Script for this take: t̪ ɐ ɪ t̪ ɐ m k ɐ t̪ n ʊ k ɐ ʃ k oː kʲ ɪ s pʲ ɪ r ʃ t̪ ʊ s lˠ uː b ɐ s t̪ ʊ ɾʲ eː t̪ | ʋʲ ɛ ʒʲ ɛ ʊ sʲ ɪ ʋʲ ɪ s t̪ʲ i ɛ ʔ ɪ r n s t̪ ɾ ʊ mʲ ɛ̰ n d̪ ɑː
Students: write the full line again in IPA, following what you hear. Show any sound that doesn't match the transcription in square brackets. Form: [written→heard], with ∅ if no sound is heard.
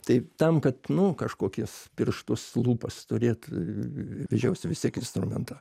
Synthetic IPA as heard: t̪ ɐ ɪ t̪ ɐ m k ɐ t̪ n ʊ k ɐ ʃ k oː kʲ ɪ s pʲ ɪ r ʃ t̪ ʊ s lˠ uː [b→p] ɐ s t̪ ʊ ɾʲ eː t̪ | ʋʲ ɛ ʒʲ ɛ ʊ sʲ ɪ ʋʲ ɪ s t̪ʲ i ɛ [ʔ→k] ɪ [r→∅] n s t̪ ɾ ʊ mʲ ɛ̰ n [d̪→t̪] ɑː